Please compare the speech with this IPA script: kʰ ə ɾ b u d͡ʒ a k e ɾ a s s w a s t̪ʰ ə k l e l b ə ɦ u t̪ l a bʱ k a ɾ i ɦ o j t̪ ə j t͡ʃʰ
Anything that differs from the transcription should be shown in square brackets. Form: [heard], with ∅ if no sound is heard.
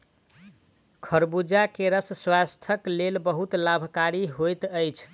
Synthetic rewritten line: kʰ ə ɾ b u d͡ʒ a k e ɾ [ə] s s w a s t̪ʰ ə k l e l b ə ɦ u t̪ l a bʱ k a ɾ i ɦ o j t̪ ə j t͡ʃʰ

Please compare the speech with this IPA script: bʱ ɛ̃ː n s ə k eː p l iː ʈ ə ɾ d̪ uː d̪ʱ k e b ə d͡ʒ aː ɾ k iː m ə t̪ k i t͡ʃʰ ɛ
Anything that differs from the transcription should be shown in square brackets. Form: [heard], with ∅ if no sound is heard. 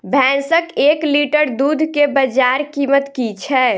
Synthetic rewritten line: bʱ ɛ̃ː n s ə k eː [k] l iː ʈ ə ɾ d̪ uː d̪ʱ k e b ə d͡ʒ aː ɾ k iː m ə t̪ k i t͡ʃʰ ɛ

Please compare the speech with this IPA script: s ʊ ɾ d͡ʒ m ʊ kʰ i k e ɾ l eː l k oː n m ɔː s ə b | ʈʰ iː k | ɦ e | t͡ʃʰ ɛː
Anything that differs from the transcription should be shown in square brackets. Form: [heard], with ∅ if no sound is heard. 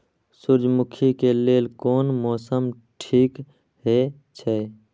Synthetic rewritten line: s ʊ ɾ d͡ʒ m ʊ kʰ i k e [∅] l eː l k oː n m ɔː s ə [m] | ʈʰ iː k | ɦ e | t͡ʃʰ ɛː

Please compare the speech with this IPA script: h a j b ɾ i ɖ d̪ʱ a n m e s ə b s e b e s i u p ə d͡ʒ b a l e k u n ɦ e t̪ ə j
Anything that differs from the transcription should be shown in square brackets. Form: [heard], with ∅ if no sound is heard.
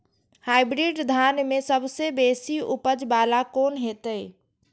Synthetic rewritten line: h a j b ɾ i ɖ d̪ʱ a n m e s ə b s e b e s i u p ə d͡ʒ b a l [a] k [o] n ɦ e t̪ ə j

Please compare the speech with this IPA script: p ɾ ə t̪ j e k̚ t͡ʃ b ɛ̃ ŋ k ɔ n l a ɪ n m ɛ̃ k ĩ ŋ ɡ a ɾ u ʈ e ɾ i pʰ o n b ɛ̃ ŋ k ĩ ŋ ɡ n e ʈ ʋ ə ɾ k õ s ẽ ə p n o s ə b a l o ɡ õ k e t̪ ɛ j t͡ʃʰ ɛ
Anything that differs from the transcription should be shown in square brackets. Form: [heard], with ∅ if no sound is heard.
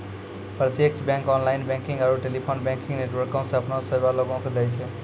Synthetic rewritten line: p ɾ ə t̪ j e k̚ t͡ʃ b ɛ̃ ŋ k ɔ n l a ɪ n [b] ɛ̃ k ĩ ŋ ɡ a ɾ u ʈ e [l] i pʰ o n b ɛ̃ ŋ k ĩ ŋ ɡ n e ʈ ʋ ə ɾ k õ s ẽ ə p n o s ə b a l o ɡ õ k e [d̪] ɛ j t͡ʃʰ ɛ

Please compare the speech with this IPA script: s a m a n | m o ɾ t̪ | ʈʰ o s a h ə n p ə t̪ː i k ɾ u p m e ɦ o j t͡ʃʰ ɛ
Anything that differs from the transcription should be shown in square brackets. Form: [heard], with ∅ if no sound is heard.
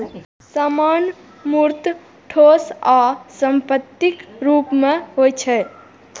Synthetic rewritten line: s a m a n | m [u] ɾ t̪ | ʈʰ o s a [s] ə [m] p ə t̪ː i k ɾ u p m e ɦ o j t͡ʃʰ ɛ

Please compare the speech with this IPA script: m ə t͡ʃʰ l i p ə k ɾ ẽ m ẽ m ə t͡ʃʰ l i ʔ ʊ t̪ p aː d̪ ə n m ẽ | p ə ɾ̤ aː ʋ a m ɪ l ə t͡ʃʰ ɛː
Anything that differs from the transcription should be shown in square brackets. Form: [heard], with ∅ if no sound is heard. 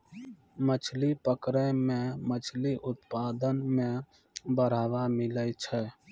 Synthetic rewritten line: m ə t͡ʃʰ l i p ə k ɾ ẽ m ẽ m ə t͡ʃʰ l i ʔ ʊ t̪ p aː d̪ ə n m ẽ | [b] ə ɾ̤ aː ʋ a m ɪ l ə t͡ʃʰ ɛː

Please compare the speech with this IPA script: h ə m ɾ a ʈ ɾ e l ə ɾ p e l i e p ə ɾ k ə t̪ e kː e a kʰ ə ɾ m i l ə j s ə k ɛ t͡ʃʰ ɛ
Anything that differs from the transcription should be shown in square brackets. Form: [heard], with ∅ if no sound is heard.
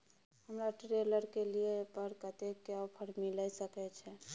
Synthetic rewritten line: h ə m ɾ a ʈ ɾ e l ə ɾ [k] e l i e p ə ɾ k ə t̪ e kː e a [pʰ] ə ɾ m i l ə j s ə k ɛ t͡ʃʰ ɛ

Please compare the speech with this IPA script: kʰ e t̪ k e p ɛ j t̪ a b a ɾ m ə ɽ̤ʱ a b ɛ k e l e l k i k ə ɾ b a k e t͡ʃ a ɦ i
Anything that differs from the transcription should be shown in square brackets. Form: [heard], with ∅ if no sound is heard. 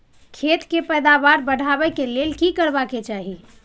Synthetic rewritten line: kʰ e t̪ k e p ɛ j [d̪] a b a ɾ [b] ə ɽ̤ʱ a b ɛ k e l e l k i k ə ɾ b a k e t͡ʃ a ɦ i

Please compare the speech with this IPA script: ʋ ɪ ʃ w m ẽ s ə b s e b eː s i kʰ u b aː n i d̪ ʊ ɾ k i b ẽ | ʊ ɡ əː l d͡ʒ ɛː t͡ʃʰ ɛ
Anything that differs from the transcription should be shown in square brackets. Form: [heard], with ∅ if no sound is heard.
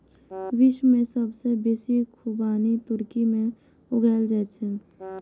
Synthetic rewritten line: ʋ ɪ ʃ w m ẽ s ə b s e b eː s i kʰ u b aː n i [t̪] ʊ ɾ k i [m] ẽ | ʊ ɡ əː l d͡ʒ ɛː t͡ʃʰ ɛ

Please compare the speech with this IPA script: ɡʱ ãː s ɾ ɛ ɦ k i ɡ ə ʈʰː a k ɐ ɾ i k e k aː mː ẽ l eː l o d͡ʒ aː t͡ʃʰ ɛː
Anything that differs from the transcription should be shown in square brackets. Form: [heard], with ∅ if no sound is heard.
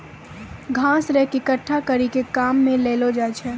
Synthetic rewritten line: ɡʱ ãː s ɾ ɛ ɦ k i [k] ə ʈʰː a k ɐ ɾ i k e k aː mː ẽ l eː l o d͡ʒ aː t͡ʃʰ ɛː

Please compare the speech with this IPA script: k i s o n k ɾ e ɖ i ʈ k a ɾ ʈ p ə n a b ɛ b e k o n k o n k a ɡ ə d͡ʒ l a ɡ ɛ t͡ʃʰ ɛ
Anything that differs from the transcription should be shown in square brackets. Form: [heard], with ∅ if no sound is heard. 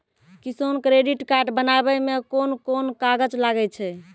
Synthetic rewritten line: k i s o n k ɾ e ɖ i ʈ k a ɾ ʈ [b] ə n a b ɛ [m] e k o n k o n k a ɡ ə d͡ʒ l a ɡ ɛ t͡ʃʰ ɛ

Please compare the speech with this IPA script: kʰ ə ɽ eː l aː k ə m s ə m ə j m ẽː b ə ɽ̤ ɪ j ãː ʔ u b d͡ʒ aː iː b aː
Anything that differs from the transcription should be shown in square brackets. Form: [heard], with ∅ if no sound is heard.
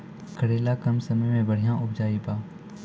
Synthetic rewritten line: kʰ ə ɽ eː l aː k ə m s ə m ə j m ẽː b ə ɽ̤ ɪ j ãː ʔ [ʊ] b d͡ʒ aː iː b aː

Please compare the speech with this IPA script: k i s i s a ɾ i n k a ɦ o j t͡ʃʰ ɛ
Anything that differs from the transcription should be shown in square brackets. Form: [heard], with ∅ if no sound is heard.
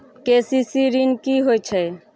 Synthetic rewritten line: k [e] s i s [i] ɾ i n k [i] ɦ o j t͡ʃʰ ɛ

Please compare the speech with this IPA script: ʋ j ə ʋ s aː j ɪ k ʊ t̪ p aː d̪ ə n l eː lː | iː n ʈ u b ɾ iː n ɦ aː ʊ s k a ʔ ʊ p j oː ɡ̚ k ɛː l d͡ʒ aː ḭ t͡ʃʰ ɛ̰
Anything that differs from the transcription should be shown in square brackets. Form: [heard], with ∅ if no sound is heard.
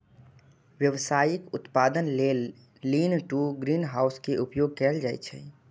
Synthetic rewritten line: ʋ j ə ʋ s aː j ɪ k ʊ t̪ p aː d̪ ə n l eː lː | iː n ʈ u [ɡ] ɾ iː n ɦ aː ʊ s k [e] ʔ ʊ p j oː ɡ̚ k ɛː l d͡ʒ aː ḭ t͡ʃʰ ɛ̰

